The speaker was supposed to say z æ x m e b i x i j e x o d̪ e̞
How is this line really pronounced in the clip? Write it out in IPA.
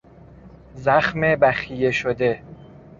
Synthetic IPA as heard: z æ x m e b æ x i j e ʃ o d̪ e̞